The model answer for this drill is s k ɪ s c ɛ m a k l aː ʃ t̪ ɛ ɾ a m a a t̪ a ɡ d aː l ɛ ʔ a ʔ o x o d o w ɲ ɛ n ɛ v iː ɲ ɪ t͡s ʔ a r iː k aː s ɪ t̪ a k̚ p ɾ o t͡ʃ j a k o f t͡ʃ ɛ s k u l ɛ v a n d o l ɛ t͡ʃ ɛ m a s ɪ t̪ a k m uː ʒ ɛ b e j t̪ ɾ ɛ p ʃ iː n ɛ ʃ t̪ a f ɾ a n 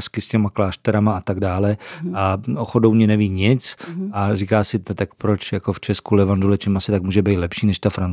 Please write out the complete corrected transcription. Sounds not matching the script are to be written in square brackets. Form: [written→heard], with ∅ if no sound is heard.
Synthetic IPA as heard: s k ɪ s c ɛ m a k l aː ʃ t̪ ɛ ɾ a m a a t̪ a ɡ d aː l ɛ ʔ a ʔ o x o d o w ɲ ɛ n ɛ v iː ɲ ɪ t͡s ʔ a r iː k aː s ɪ t̪ a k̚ p ɾ o t͡ʃ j a k o f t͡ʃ ɛ s k u l ɛ v a n d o l ɛ t͡ʃ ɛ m a s ɪ t̪ a k m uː ʒ ɛ b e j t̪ [ɾ→l] ɛ p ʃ iː n ɛ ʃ t̪ a f ɾ a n